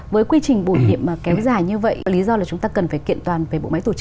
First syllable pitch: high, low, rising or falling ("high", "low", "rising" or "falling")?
rising